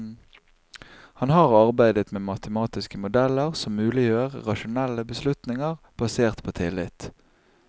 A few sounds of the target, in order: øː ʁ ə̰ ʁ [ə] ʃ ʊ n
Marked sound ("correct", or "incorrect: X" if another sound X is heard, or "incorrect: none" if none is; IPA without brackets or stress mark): incorrect: ɑ